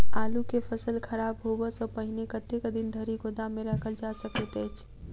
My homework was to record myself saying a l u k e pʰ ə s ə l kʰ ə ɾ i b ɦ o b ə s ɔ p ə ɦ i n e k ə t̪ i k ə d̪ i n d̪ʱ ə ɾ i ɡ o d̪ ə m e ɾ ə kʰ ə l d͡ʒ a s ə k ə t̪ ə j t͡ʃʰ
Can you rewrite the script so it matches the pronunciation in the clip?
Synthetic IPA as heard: a l u k e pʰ ə s ə l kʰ ə ɾ a b ɦ o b ə s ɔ p ə ɦ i n e k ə t̪ e k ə d̪ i n d̪ʱ ə ɾ i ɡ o d̪ a m e ɾ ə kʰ ə l d͡ʒ a s ə k ə t̪ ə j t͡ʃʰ